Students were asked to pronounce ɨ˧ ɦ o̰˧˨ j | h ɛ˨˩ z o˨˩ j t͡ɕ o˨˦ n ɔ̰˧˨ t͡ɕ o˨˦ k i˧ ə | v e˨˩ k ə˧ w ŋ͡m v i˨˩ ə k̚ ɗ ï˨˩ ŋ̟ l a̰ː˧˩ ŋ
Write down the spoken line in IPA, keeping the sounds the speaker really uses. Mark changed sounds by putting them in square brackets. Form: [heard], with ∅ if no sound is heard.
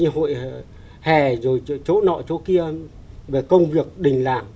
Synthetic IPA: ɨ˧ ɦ o̰˧˨ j | h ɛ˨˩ z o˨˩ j t͡ɕ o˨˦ n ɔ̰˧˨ t͡ɕ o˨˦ k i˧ ə | v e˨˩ k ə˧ w ŋ͡m v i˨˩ ə k̚ ɗ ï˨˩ ŋ̟ l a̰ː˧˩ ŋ

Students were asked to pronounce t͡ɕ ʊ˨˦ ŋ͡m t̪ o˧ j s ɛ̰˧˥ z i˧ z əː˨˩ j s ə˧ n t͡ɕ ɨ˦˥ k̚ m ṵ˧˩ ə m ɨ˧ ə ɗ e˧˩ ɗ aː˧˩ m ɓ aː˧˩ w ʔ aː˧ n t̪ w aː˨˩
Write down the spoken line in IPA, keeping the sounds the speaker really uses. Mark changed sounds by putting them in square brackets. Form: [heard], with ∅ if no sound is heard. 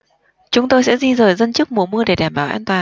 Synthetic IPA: t͡ɕ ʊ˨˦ ŋ͡m t̪ o˧ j s ɛ̰˧˥ z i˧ z əː˨˩ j [z] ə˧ n t͡ɕ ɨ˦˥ k̚ m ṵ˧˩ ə m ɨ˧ ə ɗ e˧˩ ɗ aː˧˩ m ɓ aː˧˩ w ʔ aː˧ n t̪ w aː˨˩

